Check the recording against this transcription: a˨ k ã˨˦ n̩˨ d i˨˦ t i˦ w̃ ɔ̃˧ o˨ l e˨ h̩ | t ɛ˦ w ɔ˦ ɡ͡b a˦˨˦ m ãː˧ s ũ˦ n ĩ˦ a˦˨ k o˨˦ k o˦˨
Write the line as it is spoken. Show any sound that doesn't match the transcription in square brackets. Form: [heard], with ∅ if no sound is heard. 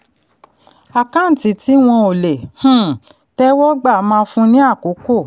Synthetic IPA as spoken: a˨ k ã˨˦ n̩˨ [t] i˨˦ t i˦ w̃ ɔ̃˧ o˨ l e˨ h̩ | t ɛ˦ w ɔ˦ ɡ͡b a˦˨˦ m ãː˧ [f] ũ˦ n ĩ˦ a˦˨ k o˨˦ k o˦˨